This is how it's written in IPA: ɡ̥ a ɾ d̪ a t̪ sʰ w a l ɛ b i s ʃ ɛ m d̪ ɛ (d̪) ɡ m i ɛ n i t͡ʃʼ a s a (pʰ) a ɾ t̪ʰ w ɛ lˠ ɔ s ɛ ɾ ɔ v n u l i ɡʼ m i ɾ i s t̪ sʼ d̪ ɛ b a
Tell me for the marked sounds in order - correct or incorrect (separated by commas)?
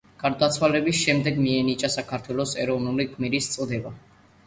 incorrect, incorrect